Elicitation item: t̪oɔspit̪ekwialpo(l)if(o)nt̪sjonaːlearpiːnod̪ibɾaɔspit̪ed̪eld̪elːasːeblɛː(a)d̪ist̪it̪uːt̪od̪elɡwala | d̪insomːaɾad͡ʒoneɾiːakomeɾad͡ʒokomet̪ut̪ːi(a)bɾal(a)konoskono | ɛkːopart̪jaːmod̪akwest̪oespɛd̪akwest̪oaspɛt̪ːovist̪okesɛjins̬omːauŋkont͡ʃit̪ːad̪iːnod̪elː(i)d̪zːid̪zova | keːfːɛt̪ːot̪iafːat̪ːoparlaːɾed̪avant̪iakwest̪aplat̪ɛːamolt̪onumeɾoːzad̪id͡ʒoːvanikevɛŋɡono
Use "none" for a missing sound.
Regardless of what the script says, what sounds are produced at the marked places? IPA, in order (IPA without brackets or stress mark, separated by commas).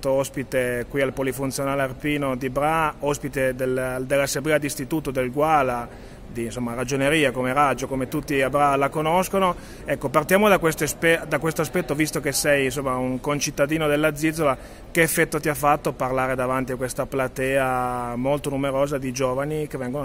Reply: l, u, a, a, a, a